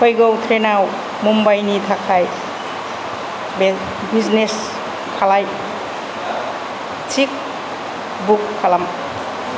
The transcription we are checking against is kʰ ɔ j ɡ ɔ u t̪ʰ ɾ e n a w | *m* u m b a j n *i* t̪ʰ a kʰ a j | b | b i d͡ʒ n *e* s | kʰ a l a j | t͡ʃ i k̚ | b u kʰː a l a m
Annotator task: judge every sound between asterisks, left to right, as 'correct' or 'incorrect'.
correct, correct, correct

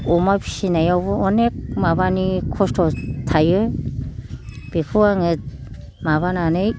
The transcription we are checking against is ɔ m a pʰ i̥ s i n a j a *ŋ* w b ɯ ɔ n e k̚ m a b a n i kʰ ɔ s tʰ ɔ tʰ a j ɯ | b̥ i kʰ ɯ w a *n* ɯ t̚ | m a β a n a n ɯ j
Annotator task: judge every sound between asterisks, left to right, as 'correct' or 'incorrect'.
incorrect: none, incorrect: ŋ

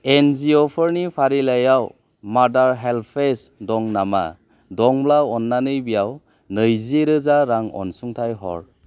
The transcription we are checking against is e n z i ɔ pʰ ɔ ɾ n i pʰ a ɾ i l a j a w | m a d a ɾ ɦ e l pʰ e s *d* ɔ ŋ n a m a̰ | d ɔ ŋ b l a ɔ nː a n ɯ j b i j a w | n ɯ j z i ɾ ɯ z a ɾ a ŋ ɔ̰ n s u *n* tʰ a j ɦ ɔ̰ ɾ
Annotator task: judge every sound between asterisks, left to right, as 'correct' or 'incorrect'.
correct, incorrect: ŋ

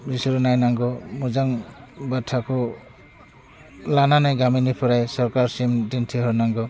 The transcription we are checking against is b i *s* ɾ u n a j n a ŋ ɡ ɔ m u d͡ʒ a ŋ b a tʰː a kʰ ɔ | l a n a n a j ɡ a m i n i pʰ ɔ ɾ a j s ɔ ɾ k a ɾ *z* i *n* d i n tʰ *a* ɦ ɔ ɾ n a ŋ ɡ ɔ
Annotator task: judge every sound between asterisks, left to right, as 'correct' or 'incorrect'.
correct, incorrect: s, incorrect: m, incorrect: i

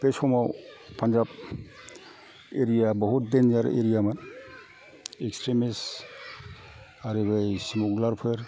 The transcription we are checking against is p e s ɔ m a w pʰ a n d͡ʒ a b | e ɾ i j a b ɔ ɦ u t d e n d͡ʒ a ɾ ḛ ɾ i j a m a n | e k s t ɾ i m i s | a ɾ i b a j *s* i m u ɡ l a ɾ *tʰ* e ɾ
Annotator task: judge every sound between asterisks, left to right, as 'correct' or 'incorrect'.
correct, incorrect: pʰ

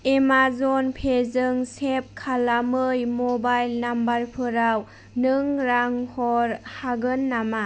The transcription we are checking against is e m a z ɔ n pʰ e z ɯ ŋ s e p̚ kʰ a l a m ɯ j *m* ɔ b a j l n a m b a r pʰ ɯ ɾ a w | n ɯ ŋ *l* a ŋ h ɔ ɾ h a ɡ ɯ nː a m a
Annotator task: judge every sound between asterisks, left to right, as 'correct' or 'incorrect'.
correct, incorrect: ɾ

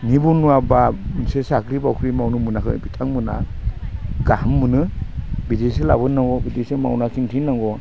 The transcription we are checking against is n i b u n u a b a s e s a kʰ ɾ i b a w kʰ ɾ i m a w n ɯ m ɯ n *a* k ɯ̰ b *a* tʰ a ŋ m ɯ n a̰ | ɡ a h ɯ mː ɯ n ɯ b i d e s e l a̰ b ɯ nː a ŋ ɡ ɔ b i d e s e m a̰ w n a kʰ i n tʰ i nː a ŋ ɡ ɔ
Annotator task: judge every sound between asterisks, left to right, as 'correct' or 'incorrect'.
correct, incorrect: i

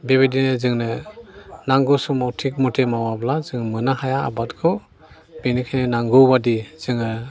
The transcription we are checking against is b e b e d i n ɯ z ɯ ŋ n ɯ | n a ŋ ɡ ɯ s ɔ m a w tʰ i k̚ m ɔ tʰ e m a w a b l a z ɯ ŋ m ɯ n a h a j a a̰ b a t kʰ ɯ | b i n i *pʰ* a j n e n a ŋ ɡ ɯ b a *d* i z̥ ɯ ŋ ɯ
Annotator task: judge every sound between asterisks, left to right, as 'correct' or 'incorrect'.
incorrect: kʰ, correct

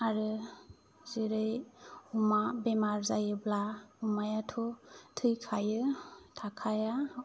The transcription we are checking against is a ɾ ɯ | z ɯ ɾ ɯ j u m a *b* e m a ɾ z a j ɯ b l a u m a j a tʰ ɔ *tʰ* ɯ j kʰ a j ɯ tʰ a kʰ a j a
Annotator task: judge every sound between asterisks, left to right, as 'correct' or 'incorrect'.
correct, correct

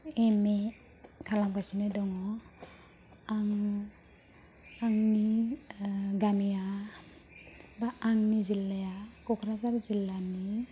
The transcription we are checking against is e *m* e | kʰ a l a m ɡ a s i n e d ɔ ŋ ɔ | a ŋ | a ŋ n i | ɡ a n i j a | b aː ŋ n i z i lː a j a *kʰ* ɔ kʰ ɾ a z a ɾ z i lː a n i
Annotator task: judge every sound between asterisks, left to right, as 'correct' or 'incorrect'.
correct, incorrect: k

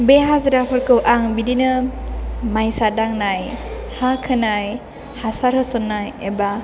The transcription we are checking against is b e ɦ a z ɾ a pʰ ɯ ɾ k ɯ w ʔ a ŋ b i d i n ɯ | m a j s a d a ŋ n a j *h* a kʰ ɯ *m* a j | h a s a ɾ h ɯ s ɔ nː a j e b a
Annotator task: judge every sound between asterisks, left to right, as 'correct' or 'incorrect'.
correct, incorrect: n

